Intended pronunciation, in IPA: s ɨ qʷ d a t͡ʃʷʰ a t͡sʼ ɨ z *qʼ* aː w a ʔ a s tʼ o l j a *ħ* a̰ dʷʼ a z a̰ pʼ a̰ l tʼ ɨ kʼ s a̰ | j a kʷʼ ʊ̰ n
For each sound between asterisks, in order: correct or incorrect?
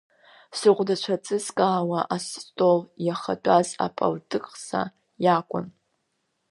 incorrect: kʼ, incorrect: χ

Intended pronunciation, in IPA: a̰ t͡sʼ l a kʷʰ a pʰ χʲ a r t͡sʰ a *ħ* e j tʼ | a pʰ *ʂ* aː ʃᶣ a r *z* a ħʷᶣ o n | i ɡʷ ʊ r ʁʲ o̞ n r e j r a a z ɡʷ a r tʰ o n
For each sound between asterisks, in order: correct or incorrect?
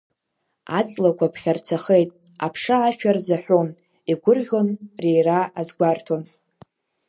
incorrect: χ, correct, correct

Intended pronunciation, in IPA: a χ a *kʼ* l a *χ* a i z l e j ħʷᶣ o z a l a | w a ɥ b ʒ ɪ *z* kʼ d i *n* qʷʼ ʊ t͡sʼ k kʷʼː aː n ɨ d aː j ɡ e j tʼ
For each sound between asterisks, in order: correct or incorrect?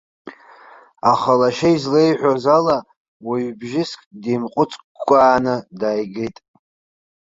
incorrect: none, incorrect: ʃ, incorrect: s, incorrect: m

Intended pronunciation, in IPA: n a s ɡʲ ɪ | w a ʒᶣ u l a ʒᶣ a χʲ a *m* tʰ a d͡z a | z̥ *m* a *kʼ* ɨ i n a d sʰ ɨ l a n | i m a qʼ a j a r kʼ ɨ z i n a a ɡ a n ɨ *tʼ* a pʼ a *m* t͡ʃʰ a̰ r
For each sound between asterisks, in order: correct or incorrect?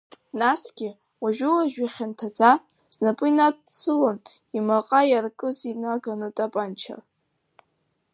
incorrect: n, incorrect: n, incorrect: pʼ, correct, incorrect: n

